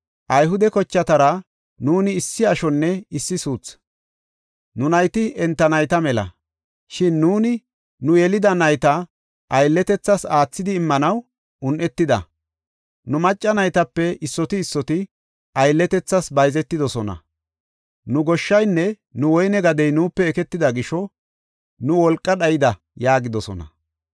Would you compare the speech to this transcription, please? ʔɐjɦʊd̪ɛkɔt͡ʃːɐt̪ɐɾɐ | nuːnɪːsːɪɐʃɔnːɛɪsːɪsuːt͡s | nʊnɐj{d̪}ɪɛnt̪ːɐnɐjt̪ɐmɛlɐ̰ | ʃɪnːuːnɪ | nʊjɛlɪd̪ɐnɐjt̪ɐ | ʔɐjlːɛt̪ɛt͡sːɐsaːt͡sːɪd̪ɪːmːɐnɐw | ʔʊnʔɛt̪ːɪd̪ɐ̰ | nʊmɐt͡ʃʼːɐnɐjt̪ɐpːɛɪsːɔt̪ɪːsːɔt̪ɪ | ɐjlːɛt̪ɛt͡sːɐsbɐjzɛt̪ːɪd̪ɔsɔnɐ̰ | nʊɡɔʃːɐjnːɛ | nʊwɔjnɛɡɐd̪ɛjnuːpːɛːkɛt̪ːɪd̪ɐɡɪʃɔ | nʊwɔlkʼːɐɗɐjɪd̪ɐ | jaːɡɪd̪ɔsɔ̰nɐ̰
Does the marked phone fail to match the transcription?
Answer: yes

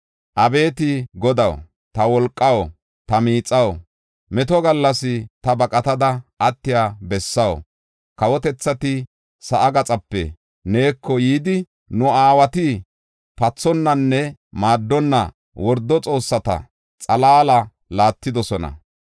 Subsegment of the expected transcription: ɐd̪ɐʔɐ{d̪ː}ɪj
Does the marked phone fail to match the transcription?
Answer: yes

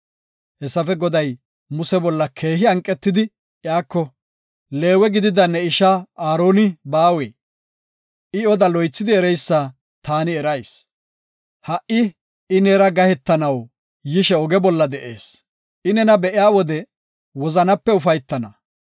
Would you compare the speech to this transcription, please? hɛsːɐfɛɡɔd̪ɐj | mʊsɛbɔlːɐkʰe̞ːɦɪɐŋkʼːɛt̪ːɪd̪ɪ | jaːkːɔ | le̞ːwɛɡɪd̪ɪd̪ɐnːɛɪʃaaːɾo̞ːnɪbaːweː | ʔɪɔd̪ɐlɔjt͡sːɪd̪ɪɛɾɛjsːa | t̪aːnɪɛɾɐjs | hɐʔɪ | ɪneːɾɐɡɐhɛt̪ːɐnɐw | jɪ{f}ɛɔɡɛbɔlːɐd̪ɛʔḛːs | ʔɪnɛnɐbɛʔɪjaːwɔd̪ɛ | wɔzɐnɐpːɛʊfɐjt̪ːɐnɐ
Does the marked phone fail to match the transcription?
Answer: yes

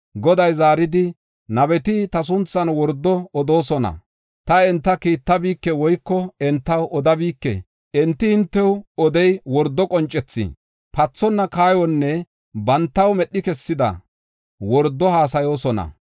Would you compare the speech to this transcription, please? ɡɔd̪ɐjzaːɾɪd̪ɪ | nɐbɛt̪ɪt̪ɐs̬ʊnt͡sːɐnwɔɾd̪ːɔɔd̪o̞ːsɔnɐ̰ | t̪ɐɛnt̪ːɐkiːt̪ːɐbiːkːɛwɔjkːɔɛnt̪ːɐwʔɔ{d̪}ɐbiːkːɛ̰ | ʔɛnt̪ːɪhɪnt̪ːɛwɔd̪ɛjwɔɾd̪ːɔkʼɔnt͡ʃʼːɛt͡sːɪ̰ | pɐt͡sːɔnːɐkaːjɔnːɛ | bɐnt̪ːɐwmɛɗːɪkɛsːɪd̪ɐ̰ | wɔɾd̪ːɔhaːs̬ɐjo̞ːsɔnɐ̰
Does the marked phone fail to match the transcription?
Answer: no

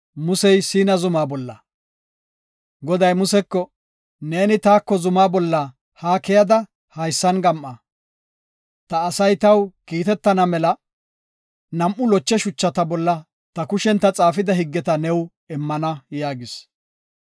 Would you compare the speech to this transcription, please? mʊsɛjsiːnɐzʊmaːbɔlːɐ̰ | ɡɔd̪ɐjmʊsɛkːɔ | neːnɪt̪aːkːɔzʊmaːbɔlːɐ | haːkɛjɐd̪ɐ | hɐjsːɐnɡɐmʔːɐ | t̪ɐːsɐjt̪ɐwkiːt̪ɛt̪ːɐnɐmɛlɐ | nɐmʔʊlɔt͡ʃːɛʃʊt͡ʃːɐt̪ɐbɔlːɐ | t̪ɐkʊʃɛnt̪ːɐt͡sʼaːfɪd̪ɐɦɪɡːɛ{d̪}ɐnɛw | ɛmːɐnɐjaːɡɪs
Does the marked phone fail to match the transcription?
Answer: yes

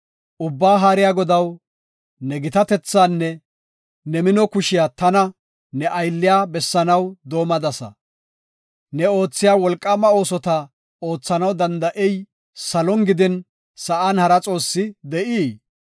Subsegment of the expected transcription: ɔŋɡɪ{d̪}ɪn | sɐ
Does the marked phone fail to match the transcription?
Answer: no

